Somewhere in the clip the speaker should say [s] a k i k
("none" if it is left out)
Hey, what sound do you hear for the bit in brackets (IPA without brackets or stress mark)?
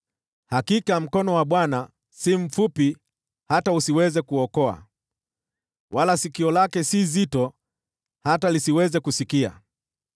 h